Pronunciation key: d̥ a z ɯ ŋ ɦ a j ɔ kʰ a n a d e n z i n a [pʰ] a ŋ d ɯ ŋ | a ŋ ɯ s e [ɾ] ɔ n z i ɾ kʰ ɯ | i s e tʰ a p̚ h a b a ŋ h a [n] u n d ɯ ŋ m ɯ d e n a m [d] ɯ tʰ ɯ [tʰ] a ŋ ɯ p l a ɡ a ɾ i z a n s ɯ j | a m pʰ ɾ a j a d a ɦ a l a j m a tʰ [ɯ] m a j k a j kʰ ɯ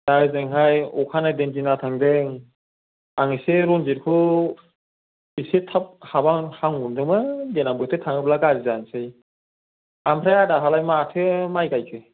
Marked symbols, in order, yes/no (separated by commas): no, yes, no, no, yes, yes